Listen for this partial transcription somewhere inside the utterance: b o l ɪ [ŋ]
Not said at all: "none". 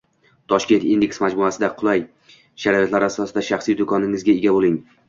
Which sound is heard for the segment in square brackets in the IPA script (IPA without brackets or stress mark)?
ŋ